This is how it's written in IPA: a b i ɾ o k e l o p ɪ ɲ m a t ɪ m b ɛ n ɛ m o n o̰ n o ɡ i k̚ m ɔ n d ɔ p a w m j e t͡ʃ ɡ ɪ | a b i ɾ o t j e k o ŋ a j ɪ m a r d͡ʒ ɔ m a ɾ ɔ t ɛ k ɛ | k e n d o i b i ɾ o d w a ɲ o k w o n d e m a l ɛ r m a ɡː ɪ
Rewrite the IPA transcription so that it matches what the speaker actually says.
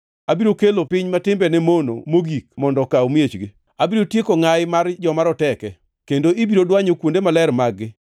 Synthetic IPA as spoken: a b i ɾ o k e l o p ɪ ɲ m a t ɪ m b ɛ n ɛ m o n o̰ m o ɡ i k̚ m ɔ n d ɔ k a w m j e t͡ʃ ɡ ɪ | a b i ɾ o t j e k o ŋ a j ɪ m a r d͡ʒ ɔ m a ɾ ɔ t ɛ k ɛ | k e n d o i b i ɾ o d w a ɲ o k w o n d e m a l ɛ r m a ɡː ɪ